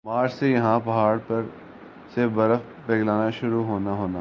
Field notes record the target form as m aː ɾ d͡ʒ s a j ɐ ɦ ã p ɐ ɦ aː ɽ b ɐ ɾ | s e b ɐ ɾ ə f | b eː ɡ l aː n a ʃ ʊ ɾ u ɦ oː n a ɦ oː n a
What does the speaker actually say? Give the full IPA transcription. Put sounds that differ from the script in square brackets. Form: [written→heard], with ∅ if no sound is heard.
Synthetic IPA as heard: m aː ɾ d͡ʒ s [a→e] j ɐ ɦ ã p ɐ ɦ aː ɽ [b→p] ɐ ɾ | s e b ɐ ɾ ə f | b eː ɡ l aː n a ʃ ʊ ɾ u ɦ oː n a ɦ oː n a